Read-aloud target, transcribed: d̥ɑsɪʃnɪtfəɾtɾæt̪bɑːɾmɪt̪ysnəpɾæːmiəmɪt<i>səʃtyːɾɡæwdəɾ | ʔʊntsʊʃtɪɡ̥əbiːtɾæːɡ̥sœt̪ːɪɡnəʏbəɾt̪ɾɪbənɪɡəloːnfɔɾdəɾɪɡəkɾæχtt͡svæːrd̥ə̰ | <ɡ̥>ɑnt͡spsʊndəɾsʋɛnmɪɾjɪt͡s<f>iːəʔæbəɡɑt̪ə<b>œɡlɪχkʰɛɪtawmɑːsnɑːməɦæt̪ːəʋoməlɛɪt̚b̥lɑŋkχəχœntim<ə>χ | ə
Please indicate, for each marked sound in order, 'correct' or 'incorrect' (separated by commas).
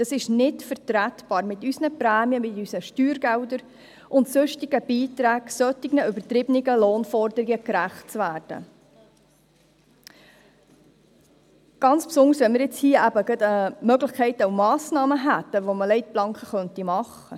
incorrect, correct, incorrect, incorrect, incorrect